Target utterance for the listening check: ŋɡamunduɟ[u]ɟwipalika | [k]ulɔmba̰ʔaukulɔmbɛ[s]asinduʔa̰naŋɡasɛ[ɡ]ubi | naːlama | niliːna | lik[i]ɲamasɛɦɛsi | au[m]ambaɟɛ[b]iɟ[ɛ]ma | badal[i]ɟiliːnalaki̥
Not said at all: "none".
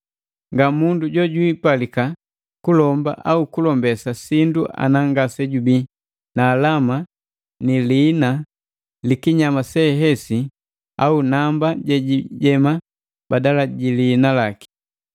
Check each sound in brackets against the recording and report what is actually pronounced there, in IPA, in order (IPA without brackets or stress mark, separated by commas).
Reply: ɔ, k, s, ɟ, i, n, ɟ, ɛ, a